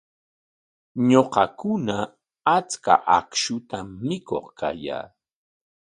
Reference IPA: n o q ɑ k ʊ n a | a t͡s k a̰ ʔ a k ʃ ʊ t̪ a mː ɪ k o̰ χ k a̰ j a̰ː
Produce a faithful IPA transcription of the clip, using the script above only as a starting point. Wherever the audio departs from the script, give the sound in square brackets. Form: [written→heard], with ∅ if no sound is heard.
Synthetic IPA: [n→ɲ] o q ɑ k ʊ n a | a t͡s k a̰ ʔ a k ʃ ʊ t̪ a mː ɪ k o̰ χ k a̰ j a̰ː